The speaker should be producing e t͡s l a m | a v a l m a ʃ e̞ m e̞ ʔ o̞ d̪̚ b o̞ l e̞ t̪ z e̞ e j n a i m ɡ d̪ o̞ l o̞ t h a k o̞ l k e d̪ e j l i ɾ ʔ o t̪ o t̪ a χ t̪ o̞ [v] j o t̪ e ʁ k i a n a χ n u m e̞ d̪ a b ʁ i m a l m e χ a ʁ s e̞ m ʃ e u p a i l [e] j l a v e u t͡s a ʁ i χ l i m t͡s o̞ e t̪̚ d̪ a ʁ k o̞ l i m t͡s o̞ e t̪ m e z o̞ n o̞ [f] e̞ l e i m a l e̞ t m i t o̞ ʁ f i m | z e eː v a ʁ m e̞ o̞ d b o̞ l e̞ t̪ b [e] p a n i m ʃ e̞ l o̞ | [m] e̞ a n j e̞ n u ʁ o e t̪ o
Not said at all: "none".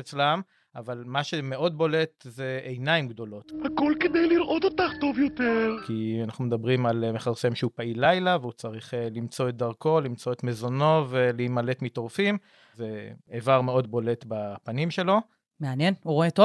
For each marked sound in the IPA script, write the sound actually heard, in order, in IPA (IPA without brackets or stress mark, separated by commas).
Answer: v, a, v, a, m